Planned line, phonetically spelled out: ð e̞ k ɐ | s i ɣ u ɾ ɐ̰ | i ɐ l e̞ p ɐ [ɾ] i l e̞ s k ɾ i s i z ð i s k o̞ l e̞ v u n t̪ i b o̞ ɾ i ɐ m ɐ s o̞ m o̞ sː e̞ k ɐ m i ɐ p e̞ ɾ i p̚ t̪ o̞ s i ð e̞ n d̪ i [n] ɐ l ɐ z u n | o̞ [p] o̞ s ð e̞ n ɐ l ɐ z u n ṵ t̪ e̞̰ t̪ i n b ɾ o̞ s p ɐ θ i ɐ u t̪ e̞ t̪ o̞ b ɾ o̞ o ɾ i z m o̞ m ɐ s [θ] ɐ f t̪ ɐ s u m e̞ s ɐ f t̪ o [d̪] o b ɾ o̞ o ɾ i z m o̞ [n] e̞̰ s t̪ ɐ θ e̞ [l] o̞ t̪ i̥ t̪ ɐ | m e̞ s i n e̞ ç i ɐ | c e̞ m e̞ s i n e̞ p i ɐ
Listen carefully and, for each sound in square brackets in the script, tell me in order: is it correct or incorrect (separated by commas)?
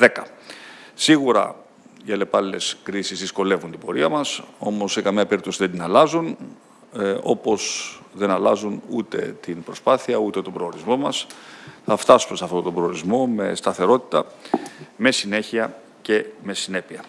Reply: incorrect, correct, correct, correct, incorrect, incorrect, incorrect